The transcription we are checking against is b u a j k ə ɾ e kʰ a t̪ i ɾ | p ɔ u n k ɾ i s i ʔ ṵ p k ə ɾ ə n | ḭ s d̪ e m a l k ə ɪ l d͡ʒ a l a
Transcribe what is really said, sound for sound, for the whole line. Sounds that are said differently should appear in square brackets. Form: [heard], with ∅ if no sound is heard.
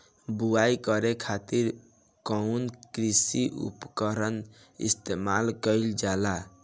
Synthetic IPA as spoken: b u a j k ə ɾ e kʰ a t̪ i ɾ | [k] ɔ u n k ɾ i s i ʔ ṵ p k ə ɾ ə n | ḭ s [t̪] e m a l k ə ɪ l d͡ʒ a l a